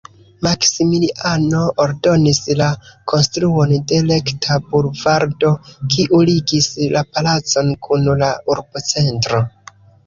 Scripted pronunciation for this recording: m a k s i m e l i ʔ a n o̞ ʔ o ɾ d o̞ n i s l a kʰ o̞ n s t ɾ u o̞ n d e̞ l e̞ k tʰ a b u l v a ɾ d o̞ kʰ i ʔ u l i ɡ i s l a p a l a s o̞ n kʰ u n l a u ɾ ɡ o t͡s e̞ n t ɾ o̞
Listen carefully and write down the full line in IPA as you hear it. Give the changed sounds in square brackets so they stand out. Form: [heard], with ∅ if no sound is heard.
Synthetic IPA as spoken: m a k s i m [i] l i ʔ a n o̞ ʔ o ɾ d o̞ n i s l a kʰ o̞ n s t ɾ u o̞ n d e̞ l e̞ k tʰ a b u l v a ɾ d o̞ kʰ i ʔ u l i ɡ i s l a p a l a [t͡s] o̞ n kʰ u n l a u ɾ [b] o t͡s e̞ n t ɾ o̞